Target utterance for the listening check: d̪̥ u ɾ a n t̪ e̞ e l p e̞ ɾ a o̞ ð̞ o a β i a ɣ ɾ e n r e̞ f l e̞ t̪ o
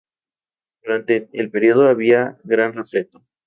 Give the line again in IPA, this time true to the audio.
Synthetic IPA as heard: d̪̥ u ɾ a n t̪ e̞ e l p e̞ ɾ i o̞ ð̞ o a β i a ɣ ɾ a n r e̞ f l e̞ t̪ o